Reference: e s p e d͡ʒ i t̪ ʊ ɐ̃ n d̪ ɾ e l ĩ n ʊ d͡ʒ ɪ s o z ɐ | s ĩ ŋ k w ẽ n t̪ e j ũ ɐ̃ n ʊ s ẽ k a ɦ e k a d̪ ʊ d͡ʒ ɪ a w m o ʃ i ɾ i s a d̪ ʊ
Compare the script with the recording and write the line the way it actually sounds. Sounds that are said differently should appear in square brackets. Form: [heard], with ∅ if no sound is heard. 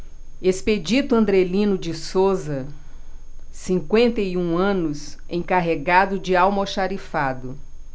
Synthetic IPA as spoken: e s p e d͡ʒ i t̪ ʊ ɐ̃ n d̪ ɾ e l ĩ n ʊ d͡ʒ ɪ s o z ɐ | s ĩ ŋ k w ẽ n t̪ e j ũ ɐ̃ n ʊ s ẽ k a ɦ e [ɡ] a d̪ ʊ d͡ʒ ɪ a w m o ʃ [a] ɾ i [f] a d̪ ʊ